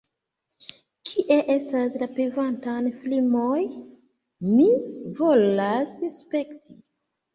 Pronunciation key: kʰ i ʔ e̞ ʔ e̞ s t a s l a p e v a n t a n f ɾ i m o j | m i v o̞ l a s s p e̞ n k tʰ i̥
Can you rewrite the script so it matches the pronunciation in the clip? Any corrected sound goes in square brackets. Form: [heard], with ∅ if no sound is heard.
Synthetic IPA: kʰ i ʔ e̞ ʔ e̞ s t a s l a p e v a n t a n f [l] i m o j | m i v o̞ l a s s p e̞ [∅] k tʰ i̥